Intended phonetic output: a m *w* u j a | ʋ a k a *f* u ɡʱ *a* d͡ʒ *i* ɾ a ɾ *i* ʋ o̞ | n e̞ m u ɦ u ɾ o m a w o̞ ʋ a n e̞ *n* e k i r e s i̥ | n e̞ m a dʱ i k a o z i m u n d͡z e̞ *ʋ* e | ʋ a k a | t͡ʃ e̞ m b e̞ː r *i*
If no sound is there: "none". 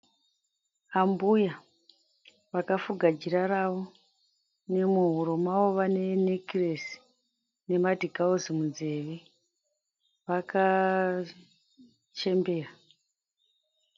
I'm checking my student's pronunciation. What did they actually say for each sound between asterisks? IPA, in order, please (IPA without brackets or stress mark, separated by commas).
b, f, a, i, a, n, ʋ, a